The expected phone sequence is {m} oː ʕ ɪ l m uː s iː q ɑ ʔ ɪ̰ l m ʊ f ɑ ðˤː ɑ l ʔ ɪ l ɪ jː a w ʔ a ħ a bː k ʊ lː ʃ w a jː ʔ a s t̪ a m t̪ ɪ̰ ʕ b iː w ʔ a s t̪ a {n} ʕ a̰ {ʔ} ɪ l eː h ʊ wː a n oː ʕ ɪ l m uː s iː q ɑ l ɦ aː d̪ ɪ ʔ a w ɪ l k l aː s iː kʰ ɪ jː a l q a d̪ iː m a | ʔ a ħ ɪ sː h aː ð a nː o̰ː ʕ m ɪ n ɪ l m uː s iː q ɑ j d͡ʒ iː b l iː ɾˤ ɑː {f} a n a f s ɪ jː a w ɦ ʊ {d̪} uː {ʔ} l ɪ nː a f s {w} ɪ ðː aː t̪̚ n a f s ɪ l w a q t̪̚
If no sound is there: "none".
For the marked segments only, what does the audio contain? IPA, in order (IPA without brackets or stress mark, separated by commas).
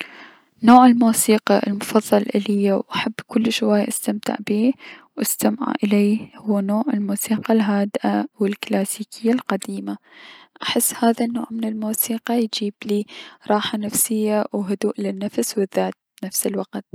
n, m, ʔ, ħ, d̪, ʔ, w